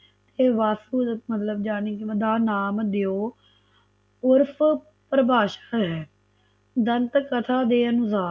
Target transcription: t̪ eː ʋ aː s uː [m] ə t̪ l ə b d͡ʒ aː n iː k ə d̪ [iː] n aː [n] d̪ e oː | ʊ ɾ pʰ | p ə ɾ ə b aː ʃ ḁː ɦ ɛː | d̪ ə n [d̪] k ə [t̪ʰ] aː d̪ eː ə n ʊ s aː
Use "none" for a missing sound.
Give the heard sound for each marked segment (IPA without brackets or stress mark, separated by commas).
m, aː, m, t̪, t̪ʰ